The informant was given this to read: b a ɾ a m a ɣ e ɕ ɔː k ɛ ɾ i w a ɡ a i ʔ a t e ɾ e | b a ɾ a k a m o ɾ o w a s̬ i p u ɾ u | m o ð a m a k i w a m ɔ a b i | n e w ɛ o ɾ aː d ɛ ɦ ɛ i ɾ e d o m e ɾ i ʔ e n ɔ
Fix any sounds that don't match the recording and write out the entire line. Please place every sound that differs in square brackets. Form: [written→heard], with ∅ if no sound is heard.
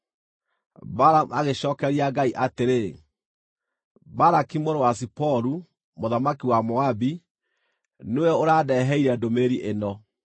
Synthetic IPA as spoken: b a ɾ a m a ɣ e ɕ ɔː k ɛ ɾ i [w→∅] a ɡ a i ʔ a t e ɾ e | b a ɾ a k [a→i] m o ɾ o w a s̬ i p [u→ɔ] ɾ u | m o ð a m a k i w a m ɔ a b i | n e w ɛ o ɾ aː d ɛ ɦ ɛ i ɾ [e→ɛ] d o m e ɾ i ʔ e n ɔ